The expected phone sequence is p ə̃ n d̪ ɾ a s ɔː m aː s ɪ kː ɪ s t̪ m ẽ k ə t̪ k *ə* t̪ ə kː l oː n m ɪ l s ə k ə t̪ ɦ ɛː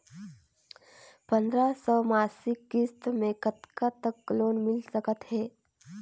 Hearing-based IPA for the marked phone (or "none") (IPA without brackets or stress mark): a